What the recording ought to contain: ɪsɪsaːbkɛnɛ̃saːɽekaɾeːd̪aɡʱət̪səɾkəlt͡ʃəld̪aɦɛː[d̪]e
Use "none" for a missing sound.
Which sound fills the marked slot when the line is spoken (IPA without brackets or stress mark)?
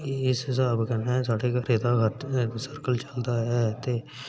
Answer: t̪